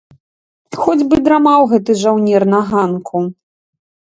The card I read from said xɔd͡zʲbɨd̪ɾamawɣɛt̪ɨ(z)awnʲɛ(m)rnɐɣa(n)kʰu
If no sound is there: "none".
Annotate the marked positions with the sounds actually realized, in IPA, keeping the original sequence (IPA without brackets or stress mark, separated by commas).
ʐ, none, n